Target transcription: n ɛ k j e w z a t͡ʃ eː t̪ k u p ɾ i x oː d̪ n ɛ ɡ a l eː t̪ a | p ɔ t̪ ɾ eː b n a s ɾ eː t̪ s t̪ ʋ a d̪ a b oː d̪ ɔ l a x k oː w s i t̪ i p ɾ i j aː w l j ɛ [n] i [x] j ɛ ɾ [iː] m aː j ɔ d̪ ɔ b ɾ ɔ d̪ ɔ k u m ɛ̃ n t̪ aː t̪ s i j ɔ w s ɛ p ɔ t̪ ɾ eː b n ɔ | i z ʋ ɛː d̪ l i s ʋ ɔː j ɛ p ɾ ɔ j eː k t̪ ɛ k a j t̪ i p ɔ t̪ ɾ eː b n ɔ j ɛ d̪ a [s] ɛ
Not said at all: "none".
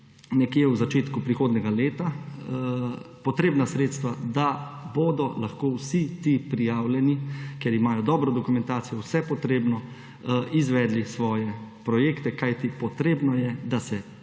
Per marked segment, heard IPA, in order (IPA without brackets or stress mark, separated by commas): n, k, i, s